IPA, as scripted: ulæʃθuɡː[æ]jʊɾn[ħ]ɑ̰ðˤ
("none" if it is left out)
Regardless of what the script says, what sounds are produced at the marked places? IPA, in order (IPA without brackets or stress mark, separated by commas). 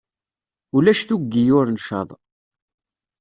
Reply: i, ʃ